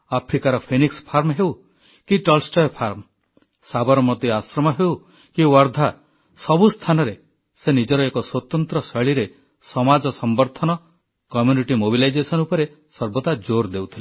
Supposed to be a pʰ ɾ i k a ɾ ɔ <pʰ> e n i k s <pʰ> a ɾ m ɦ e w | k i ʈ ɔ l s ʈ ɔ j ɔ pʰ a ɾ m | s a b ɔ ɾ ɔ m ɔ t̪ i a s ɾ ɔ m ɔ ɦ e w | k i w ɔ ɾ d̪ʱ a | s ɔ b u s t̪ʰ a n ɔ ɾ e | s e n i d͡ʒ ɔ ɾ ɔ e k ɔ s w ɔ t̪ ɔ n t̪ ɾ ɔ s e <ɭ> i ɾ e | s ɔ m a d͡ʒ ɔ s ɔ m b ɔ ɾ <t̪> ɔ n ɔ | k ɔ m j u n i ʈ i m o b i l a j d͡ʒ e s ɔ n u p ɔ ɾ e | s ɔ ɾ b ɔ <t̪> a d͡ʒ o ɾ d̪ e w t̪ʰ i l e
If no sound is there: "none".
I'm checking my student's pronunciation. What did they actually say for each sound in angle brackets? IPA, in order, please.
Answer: pʰ, pʰ, ɭ, t̪ʰ, t̪

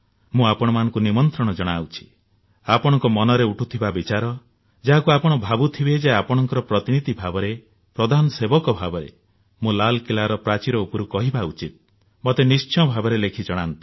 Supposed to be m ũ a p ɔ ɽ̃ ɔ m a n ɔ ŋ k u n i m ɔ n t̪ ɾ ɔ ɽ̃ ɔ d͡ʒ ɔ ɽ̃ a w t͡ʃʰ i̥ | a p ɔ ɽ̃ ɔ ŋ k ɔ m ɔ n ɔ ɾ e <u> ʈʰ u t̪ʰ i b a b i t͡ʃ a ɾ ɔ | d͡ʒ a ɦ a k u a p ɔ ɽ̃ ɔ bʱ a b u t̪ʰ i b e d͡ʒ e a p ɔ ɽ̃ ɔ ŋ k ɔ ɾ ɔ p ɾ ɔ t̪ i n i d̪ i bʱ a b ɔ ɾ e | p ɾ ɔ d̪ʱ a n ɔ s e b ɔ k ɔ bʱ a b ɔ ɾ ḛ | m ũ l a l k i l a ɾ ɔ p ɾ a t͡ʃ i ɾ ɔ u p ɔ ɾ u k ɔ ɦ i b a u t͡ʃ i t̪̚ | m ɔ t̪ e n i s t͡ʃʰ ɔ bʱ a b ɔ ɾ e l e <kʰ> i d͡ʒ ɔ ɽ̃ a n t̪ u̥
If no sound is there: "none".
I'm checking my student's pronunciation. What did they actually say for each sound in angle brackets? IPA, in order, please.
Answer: u, kʰ

